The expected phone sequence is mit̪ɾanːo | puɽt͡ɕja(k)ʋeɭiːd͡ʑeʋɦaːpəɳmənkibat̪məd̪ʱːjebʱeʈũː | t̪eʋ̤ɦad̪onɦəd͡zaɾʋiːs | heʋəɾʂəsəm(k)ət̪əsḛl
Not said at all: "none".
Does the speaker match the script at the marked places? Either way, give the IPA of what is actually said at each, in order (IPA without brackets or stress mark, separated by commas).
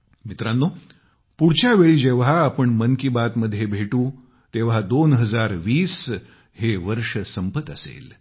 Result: none, p